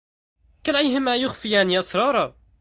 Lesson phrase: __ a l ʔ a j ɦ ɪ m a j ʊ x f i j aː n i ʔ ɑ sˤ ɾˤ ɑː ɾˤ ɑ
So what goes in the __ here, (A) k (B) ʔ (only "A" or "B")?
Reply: A